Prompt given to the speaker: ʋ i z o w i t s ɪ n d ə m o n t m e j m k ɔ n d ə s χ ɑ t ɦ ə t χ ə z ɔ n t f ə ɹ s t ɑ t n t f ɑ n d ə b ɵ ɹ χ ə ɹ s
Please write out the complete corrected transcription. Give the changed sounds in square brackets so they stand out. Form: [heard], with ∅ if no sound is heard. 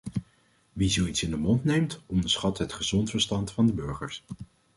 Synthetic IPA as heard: ʋ i z o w i t s ɪ n d ə m [ɔ] n t [n] e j m [t] ɔ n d ə s χ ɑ t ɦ ə t χ ə z ɔ n t f ə ɹ s t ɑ [∅] n t f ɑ n d ə b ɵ ɹ χ ə ɹ s